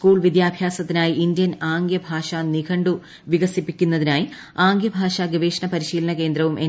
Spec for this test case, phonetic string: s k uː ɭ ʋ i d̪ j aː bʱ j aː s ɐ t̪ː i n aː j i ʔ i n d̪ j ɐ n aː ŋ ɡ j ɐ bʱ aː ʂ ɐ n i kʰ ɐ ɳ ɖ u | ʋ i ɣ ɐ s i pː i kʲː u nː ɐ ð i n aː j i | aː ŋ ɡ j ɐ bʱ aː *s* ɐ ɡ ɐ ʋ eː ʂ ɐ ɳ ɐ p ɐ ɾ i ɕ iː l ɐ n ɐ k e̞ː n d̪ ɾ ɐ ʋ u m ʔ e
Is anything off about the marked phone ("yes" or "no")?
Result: yes